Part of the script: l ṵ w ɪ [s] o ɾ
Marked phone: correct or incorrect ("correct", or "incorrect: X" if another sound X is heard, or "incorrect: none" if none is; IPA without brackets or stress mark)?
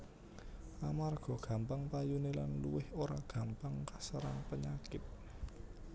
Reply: incorrect: h